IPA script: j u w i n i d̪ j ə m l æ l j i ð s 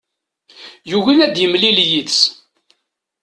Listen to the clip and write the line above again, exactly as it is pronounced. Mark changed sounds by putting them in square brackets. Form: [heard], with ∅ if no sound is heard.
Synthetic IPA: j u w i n [æ] d̪ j ə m l [i] l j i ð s